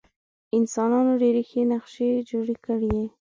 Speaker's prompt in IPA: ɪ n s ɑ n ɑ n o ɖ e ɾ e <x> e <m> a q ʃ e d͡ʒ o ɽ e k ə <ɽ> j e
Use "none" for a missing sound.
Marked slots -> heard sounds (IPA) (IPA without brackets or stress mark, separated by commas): x, n, ɽ